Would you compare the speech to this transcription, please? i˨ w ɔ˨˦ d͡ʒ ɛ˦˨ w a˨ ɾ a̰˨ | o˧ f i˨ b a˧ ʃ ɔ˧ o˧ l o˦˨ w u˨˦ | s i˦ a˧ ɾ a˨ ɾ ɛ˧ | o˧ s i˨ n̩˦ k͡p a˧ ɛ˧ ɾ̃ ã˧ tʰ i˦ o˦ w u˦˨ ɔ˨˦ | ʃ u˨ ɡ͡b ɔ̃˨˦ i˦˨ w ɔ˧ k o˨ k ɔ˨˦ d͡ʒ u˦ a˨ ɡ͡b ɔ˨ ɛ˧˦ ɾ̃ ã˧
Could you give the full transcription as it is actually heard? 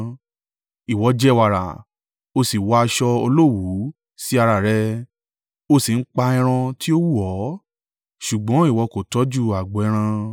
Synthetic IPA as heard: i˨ w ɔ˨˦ d͡ʒ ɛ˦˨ w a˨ ɾ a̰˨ | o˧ s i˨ w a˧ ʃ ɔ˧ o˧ l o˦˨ w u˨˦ | s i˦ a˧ ɾ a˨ ɾ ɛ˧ | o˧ s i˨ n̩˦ k͡p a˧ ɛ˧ ɾ̃ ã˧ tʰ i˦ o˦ w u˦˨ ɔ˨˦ | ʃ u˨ ɡ͡b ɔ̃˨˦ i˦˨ w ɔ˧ k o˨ t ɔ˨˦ d͡ʒ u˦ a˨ ɡ͡b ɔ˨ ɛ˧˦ ɾ̃ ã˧